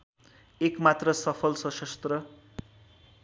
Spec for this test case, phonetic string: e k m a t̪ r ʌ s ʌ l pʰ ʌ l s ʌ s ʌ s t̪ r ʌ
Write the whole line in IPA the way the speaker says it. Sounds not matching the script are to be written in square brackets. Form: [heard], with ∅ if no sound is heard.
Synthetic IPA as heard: e k m a t̪ r ʌ s ʌ [∅] pʰ ʌ l s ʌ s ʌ s t̪ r ʌ